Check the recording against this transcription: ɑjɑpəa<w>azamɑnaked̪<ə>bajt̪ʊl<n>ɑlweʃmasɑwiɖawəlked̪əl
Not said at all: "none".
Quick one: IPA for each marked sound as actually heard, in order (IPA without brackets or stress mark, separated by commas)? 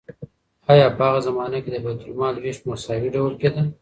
ɣ, ə, m